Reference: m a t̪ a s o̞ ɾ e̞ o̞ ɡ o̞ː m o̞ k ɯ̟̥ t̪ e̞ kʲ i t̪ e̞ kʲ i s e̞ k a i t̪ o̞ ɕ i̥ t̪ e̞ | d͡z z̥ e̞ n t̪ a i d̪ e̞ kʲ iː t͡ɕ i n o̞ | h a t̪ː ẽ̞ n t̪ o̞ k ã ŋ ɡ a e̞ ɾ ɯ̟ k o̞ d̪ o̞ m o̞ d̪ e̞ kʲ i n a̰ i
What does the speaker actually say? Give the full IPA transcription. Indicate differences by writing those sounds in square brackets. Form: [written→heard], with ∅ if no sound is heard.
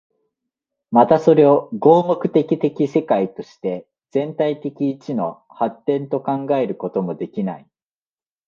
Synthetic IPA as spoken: m a t̪ a s o̞ ɾ e̞ o̞ ɡ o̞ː m o̞ k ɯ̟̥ t̪ e̞ kʲ i t̪ e̞ kʲ i s e̞ k a i t̪ o̞ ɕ i̥ t̪ e̞ | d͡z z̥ [e̞→ẽ̞] n t̪ a i [d̪→t̪] e̞ kʲ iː t͡ɕ i n o̞ | h a t̪ː ẽ̞ n t̪ o̞ k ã ŋ ɡ a e̞ ɾ ɯ̟ k o̞ [d̪→t̪] o̞ m o̞ d̪ e̞ kʲ i n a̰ i